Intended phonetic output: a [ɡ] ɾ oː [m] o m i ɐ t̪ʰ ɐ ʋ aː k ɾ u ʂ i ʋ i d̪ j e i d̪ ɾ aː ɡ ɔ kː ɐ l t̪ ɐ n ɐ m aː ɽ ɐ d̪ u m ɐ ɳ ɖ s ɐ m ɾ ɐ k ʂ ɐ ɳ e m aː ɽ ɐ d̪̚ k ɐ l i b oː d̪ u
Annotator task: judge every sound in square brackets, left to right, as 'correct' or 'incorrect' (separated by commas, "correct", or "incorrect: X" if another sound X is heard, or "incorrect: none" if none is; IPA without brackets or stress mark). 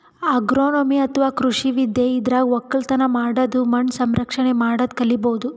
correct, incorrect: n